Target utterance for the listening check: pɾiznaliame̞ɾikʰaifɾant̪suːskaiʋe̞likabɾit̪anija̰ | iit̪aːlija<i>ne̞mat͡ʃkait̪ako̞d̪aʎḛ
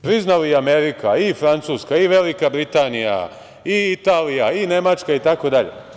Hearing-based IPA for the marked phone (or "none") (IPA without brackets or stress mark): i